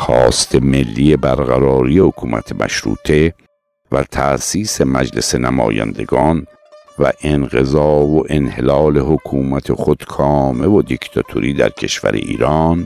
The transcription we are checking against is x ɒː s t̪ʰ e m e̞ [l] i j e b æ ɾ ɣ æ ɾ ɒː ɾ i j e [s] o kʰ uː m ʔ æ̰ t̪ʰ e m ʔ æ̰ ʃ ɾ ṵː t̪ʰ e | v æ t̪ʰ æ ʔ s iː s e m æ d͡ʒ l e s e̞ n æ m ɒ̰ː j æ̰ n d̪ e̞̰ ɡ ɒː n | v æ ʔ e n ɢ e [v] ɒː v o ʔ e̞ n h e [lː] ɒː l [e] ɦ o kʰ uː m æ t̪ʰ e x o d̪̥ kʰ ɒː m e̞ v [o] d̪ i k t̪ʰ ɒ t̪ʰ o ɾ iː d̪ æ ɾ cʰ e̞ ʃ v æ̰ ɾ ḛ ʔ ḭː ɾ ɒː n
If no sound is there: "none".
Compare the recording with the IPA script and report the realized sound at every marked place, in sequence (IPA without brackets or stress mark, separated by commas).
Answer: lː, h, z, l, e, o